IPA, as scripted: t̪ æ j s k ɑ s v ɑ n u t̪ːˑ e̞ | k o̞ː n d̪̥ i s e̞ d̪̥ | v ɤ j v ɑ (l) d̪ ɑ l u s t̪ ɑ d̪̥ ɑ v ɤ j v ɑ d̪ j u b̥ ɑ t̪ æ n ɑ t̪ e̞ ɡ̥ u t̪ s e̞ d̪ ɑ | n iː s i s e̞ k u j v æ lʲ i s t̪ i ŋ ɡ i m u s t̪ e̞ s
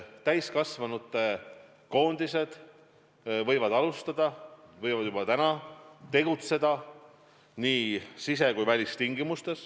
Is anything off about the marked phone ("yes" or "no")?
yes